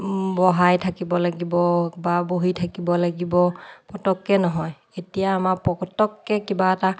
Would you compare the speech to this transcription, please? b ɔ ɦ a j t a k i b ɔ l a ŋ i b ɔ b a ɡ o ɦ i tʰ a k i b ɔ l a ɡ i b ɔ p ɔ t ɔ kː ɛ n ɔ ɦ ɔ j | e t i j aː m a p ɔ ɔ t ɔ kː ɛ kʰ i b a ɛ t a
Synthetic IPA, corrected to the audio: b ɔ ɦ a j tʰ a k i b ɔ l a ɡ i b ɔ b a b o ɦ i tʰ a k i b ɔ l a ɡ i b ɔ p ɔ t ɔ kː ɛ n ɔ ɦ ɔ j | e t i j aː m a p ɔ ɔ t ɔ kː ɛ k i b a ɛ t a